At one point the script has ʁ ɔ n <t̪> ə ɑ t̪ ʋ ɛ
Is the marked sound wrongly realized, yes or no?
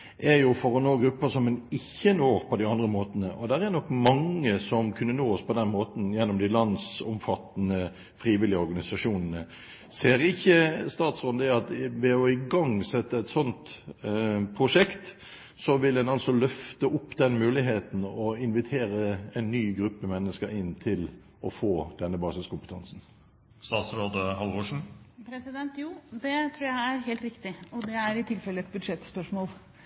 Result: yes